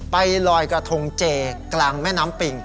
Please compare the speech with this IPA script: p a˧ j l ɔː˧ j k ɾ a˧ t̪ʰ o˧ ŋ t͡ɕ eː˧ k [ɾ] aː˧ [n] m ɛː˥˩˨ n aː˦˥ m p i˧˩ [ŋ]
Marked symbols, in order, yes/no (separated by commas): no, no, yes